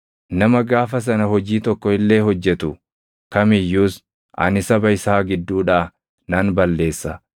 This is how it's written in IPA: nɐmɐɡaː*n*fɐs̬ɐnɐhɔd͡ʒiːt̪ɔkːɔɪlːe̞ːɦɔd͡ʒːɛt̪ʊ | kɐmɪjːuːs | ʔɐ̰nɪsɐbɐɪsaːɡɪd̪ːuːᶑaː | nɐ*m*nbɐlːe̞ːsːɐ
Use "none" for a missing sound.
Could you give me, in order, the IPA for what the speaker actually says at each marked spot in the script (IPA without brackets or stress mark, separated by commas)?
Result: none, none